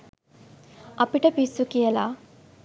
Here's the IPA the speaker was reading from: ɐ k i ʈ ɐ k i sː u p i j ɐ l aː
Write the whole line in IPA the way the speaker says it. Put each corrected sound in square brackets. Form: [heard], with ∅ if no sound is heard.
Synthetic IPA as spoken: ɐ [p] i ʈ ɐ [p] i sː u [k] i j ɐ l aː